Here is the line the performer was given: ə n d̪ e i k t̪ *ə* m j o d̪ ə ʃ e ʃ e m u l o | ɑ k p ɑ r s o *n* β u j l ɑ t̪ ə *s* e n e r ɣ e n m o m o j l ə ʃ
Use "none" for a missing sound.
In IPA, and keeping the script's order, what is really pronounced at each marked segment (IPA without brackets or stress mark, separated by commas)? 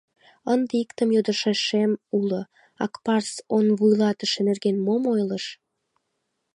ə, n, ʃ